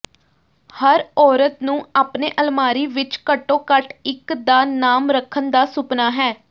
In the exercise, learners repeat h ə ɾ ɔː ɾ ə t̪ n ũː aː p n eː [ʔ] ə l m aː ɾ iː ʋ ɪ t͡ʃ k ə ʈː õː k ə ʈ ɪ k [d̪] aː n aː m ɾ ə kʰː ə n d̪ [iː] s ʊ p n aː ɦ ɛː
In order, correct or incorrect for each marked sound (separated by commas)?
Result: correct, correct, incorrect